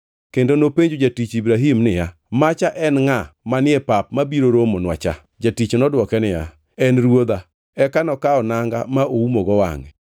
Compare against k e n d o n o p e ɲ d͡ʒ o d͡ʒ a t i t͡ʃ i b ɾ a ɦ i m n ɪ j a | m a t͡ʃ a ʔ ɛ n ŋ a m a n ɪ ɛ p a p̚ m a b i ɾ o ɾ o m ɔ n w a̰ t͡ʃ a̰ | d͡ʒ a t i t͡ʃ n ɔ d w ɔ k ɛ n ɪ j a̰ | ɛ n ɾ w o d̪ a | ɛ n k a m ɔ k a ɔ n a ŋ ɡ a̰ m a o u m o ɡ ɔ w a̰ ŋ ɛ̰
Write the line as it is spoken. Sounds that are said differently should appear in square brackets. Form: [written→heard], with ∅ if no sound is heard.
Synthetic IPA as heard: k e n d o n o p e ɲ d͡ʒ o d͡ʒ a t i t͡ʃ i b ɾ a ɦ i m n ɪ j a | m a t͡ʃ a ʔ ɛ n ŋ a m a n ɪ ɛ p a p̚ m a b i ɾ o ɾ o m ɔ n w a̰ t͡ʃ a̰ | d͡ʒ a t i t͡ʃ n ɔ d w ɔ k ɛ n ɪ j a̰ | ɛ n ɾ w o d̪ a | ɛ [n→∅] k a [m→n] ɔ k a ɔ n a ŋ ɡ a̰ m a o u m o ɡ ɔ w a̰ ŋ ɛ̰

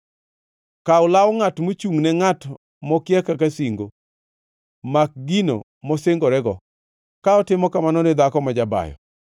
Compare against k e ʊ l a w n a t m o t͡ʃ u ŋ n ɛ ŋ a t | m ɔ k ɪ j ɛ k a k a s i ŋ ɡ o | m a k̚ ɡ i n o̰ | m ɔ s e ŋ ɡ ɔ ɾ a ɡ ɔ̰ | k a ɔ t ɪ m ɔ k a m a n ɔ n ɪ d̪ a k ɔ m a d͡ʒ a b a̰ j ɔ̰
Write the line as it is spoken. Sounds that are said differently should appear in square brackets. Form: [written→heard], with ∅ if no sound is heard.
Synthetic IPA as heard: k [e→a] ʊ l a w [n→ŋ] a t m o t͡ʃ u ŋ n ɛ ŋ a t | m ɔ k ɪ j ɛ k a k a s i ŋ ɡ o | m a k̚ ɡ i n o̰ | m ɔ s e ŋ ɡ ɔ ɾ [a→ɛ] ɡ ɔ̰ | k a ɔ t ɪ m ɔ k a m a n ɔ n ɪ d̪ a k ɔ m a d͡ʒ a b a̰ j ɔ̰

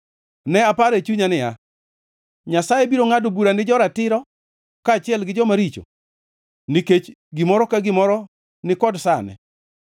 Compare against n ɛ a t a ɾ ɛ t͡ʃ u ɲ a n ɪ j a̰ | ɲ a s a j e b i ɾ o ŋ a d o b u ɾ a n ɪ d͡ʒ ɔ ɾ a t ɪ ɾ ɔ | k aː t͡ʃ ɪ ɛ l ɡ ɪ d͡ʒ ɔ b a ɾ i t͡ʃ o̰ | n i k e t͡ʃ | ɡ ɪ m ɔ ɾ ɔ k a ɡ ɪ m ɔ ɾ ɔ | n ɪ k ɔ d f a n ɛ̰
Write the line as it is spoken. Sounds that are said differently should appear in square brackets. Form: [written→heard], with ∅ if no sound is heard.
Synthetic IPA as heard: n ɛ a [t→p] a ɾ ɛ t͡ʃ u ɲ a n ɪ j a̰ | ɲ a s a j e b i ɾ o ŋ a d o b u ɾ a n ɪ d͡ʒ ɔ ɾ a t ɪ ɾ ɔ | k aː t͡ʃ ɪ ɛ l ɡ ɪ d͡ʒ ɔ [b→m] a ɾ i t͡ʃ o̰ | n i k e t͡ʃ | ɡ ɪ m ɔ ɾ ɔ k a ɡ ɪ m ɔ ɾ ɔ | n ɪ k ɔ d [f→s] a n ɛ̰

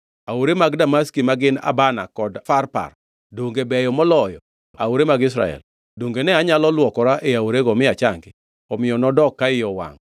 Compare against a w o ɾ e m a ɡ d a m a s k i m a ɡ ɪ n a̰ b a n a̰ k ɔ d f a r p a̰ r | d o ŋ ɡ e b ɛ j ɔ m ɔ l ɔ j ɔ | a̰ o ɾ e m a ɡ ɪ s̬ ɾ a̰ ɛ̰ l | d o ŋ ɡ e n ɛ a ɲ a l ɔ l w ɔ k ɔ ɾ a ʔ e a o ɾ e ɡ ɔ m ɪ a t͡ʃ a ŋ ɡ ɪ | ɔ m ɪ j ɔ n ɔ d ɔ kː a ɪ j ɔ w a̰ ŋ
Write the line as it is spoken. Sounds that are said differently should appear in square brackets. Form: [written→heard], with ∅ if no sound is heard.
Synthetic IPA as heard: a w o ɾ e m a ɡ d a m a s k i m a ɡ ɪ n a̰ b a n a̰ k ɔ d f a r p a̰ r | d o ŋ ɡ e b ɛ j ɔ m ɔ l ɔ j ɔ | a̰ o ɾ e m a ɡ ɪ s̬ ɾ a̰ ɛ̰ l | d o ŋ ɡ e n ɛ a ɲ a l ɔ l w ɔ k ɔ ɾ a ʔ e a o ɾ e ɡ ɔ m ɪ a t͡ʃ a ŋ ɡ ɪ | ɔ m ɪ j ɔ n ɔ d ɔ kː a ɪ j ɔ w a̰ ŋ

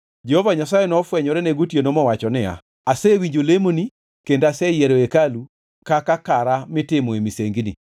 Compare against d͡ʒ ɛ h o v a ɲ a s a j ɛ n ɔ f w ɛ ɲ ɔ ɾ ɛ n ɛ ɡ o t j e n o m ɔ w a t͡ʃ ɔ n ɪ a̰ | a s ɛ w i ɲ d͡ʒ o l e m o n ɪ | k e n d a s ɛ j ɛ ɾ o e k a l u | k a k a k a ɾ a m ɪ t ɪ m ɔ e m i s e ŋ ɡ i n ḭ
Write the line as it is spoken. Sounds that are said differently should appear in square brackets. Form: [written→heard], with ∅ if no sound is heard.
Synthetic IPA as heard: d͡ʒ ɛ h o v a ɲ a s a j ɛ n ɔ f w ɛ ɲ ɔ ɾ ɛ n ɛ ɡ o t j e n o m ɔ w a t͡ʃ ɔ n ɪ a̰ | a s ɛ w i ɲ d͡ʒ o l e m o n [ɪ→i] | k e n d a s ɛ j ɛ ɾ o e k a l u | k a k a k a ɾ a m ɪ t ɪ m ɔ e m i s e ŋ ɡ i n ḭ

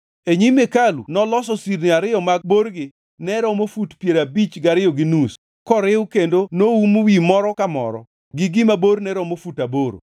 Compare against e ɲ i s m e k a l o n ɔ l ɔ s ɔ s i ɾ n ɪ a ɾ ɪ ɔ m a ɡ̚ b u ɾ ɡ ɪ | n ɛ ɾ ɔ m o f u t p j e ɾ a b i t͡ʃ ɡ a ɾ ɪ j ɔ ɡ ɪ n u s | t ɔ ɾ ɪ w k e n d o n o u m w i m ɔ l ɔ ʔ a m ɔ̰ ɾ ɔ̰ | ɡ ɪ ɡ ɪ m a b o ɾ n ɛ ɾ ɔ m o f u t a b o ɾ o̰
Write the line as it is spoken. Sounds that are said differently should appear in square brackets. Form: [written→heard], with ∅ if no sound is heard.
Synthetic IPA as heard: e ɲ i [s→∅] m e k a l [o→u] n ɔ l ɔ s ɔ s i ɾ n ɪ a ɾ ɪ ɔ m a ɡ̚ b [u→o] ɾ ɡ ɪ | n ɛ ɾ ɔ m o f u t p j e ɾ a b i t͡ʃ ɡ a ɾ ɪ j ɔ ɡ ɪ n u s | [t→k] ɔ ɾ ɪ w k e n d o n o u m w i m ɔ [l→ɾ] ɔ [ʔ→k] a m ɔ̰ ɾ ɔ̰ | ɡ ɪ ɡ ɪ m a b o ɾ n ɛ ɾ ɔ m o f u t a b o ɾ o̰

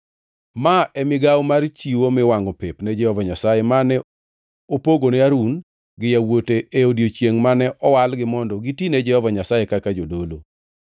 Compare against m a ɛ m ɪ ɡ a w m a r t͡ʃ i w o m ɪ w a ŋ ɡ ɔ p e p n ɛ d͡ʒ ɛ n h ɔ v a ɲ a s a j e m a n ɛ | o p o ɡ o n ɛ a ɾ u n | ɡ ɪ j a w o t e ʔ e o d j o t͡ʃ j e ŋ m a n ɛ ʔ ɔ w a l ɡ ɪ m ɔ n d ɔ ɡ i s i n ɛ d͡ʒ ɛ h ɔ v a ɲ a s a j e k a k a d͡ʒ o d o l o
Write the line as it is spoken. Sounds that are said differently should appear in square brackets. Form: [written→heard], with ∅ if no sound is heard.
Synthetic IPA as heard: m a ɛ m ɪ ɡ a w m a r t͡ʃ i w o m ɪ w a ŋ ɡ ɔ p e p n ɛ d͡ʒ ɛ [n→∅] h ɔ v a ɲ a s a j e m a n ɛ | o p o ɡ o n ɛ a ɾ u n | ɡ ɪ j a w o t e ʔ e o d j o t͡ʃ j e ŋ m a n ɛ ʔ ɔ w a l ɡ ɪ m ɔ n d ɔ ɡ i [s→t] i n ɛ d͡ʒ ɛ h ɔ v a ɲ a s a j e k a k a d͡ʒ o d o l o

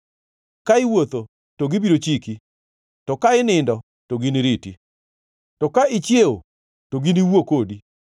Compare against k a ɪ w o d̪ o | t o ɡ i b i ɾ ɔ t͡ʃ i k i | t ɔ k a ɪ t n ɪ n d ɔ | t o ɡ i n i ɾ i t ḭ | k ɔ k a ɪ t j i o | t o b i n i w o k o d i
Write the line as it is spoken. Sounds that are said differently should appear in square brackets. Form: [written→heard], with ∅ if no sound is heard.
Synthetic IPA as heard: k a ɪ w o [d̪→t̪] o | t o ɡ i b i ɾ [ɔ→o] t͡ʃ i k i | t ɔ k a ɪ [t→∅] n ɪ n d ɔ | t o ɡ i n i ɾ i t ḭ | [k→t] ɔ k a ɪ [t→t͡ʃ] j [i→e] o | t o [b→ɡ] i n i w o k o d i

